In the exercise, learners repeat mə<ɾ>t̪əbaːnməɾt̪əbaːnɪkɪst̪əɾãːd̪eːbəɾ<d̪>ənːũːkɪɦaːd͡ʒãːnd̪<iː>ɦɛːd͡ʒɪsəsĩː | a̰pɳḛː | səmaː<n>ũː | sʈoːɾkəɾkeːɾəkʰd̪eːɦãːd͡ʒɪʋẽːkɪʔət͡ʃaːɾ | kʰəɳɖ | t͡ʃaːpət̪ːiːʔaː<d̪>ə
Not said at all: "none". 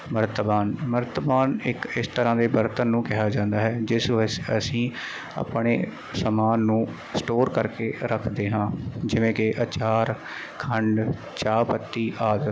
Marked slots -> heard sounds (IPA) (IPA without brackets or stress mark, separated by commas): ɾ, t̪, aː, nː, d̪